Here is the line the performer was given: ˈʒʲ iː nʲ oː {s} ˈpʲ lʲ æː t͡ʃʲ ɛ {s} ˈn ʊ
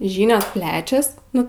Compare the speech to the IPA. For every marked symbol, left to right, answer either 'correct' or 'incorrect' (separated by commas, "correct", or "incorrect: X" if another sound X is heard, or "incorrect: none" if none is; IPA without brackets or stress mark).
correct, correct